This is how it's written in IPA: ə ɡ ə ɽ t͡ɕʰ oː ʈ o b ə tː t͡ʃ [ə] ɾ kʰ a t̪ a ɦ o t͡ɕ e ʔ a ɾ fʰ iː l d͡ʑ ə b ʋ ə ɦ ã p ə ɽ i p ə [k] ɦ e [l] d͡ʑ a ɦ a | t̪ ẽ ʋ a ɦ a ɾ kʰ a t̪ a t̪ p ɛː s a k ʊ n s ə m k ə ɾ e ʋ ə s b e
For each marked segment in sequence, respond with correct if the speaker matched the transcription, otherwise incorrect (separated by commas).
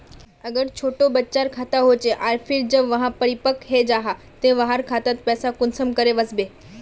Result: incorrect, correct, incorrect